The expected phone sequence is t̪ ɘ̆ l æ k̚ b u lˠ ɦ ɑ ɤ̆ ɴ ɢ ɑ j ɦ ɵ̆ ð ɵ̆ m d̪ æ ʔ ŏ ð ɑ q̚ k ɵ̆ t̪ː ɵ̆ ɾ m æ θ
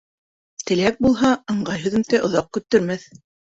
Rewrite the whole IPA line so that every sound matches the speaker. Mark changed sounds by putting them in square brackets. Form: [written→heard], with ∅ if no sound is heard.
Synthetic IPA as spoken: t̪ ɘ̆ l æ k̚ b u lˠ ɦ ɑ ɤ̆ ɴ ɢ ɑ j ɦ ɵ̆ ð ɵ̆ m [d̪→t̪] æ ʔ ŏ ð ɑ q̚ k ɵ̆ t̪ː ɵ̆ ɾ m æ θ